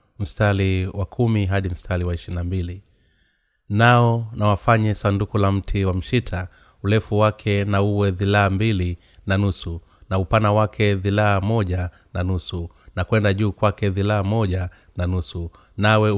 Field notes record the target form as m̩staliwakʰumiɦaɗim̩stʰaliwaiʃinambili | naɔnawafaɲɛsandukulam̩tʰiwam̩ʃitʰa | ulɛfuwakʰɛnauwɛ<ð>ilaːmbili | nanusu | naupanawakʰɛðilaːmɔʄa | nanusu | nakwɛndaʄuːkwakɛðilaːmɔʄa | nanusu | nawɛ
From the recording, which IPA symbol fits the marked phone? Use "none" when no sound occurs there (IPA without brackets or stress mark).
ð